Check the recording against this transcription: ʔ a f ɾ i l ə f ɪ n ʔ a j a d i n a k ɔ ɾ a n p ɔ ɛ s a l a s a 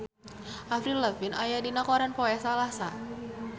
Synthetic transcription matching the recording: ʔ a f ɾ i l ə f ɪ n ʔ a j a d i n a k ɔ ɾ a n p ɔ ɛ s a l a s a

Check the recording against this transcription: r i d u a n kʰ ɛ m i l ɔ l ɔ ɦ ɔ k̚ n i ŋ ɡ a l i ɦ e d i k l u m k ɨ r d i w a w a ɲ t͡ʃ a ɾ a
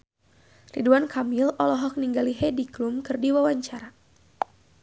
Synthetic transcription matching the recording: r i d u a n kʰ a m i l ɔ l ɔ ɦ ɔ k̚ n i ŋ ɡ a l i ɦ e d i k l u m k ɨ r d i w a w a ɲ t͡ʃ a ɾ a

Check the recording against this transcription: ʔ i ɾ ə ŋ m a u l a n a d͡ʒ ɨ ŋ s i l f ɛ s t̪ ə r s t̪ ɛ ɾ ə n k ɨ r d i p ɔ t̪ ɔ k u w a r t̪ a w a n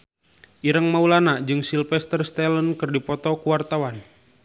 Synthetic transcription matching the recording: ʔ i ɾ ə ŋ m a u l a n a d͡ʒ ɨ ŋ s i l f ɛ s t̪ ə r s t̪ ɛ l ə n k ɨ r d i p ɔ t̪ ɔ k u w a r t̪ a w a n

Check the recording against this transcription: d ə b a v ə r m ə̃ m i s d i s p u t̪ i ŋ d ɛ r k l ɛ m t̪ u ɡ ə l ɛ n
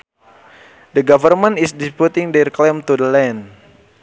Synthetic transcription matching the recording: d ə ɡ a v ə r m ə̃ n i s d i s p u t̪ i ŋ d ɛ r k l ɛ m t̪ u d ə l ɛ n

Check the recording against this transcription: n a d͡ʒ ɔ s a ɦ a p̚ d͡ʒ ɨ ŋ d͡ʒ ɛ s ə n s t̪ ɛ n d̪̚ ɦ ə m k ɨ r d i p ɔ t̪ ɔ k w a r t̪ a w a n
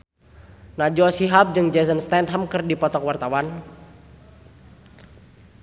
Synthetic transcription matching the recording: n a d͡ʒ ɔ s i ɦ a p̚ d͡ʒ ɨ ŋ d͡ʒ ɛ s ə n s t̪ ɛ n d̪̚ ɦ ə m k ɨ r d i p ɔ t̪ ɔ k w a r t̪ a w a n

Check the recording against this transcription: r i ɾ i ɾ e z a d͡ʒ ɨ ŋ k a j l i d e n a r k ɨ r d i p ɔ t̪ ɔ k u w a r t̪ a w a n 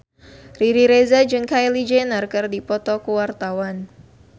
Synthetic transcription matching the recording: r i ɾ i ɾ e z a d͡ʒ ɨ ŋ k a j l i d͡ʒ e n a r k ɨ r d i p ɔ t̪ ɔ k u w a r t̪ a w a n

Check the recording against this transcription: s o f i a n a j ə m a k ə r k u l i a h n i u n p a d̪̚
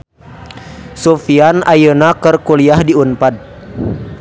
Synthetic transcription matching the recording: s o f i a n a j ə n a k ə r k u l i a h d i u n p a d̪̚

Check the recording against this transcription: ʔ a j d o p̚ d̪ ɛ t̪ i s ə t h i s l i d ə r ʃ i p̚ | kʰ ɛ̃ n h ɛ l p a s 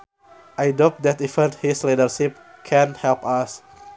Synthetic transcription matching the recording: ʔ a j d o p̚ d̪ ɛ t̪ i f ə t h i s l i d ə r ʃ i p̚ | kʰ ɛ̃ n h ɛ l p a s

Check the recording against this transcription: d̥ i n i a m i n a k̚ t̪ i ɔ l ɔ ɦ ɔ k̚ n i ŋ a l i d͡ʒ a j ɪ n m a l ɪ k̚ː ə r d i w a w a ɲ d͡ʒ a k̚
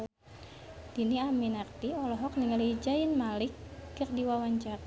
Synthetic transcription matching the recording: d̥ i n i a m i n a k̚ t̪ i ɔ l ɔ ɦ ɔ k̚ n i ŋ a l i d͡ʒ a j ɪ n m a l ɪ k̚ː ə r d i w a w a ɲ d͡ʒ a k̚

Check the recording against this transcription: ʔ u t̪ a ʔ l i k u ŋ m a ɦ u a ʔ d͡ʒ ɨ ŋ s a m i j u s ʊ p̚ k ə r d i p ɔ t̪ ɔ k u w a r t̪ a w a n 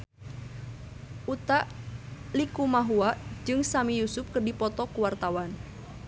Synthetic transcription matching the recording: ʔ u t̪ a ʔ l i k u m a ɦ u a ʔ d͡ʒ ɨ ŋ s a m i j u s ʊ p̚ k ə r d i p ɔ t̪ ɔ k u w a r t̪ a w a n

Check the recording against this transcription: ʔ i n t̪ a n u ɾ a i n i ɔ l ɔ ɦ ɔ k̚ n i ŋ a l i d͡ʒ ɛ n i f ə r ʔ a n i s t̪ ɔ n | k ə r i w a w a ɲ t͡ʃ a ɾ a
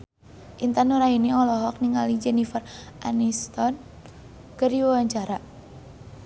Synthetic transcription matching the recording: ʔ i n t̪ a n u ɾ a i n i ɔ l ɔ ɦ ɔ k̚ n i ŋ a l i d͡ʒ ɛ n i f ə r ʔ a n i s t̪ ɔ n | k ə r i w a w a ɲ t͡ʃ a ɾ a

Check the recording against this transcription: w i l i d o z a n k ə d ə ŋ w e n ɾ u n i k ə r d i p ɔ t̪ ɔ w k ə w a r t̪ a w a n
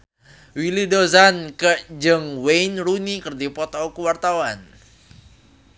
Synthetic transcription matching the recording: w i l i d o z a n k ə d͡ʒ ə ŋ w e n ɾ u n i k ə r d i p ɔ t̪ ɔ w k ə w a r t̪ a w a n

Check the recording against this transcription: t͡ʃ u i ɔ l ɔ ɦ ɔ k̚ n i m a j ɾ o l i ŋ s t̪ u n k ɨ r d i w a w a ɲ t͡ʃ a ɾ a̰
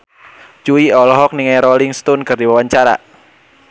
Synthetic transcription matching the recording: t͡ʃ u i ɔ l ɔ ɦ ɔ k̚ n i ŋ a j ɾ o l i ŋ s t̪ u n k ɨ r d i w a w a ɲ t͡ʃ a ɾ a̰

